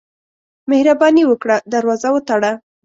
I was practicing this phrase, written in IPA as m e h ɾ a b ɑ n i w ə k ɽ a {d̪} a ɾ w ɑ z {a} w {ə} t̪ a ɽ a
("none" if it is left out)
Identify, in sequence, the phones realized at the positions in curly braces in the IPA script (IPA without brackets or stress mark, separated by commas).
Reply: d̪, a, ə